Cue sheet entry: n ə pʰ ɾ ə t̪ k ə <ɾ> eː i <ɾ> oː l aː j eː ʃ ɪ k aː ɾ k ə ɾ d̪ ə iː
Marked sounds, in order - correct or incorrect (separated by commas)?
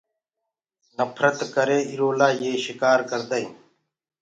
correct, correct